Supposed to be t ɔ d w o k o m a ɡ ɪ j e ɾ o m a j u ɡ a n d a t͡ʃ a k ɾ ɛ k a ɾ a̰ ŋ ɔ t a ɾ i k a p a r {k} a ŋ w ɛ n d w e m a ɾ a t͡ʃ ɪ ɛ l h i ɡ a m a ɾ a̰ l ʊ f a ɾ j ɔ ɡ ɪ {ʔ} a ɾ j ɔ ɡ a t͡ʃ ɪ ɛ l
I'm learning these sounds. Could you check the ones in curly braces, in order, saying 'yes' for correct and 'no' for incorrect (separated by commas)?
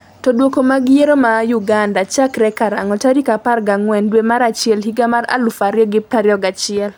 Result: no, no